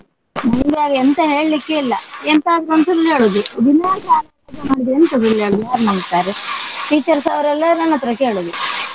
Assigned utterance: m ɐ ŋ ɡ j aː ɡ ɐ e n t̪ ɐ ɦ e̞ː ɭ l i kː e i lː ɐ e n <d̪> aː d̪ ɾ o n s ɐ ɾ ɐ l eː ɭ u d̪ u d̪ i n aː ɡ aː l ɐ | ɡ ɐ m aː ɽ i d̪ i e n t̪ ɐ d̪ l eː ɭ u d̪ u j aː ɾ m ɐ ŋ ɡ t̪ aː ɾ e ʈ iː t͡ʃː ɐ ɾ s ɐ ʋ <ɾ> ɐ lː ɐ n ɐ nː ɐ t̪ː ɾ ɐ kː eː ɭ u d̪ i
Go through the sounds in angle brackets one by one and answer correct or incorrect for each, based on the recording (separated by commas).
incorrect, correct